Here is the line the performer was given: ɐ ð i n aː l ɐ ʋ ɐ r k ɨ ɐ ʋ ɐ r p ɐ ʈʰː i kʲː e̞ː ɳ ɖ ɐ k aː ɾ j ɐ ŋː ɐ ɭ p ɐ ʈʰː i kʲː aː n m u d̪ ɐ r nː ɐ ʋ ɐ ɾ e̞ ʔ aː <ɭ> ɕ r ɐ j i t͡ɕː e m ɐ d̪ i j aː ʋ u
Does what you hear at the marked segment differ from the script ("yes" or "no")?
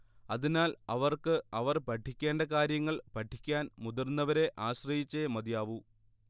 yes